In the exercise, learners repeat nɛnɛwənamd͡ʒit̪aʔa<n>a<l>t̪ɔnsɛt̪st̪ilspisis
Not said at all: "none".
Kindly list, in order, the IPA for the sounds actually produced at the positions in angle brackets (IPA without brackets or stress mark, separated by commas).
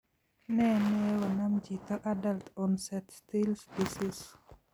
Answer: d, l